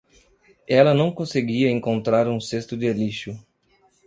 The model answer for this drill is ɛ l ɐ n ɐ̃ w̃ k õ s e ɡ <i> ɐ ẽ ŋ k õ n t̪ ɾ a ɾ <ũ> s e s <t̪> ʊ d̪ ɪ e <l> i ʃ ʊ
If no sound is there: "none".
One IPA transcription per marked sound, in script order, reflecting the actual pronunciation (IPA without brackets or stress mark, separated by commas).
i, ũ, t̪, l